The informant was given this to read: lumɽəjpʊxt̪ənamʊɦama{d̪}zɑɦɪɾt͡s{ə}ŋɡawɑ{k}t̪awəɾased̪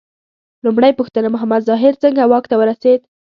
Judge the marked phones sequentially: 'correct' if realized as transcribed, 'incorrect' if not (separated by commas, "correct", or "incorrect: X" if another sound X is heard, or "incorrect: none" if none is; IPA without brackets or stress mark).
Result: correct, correct, correct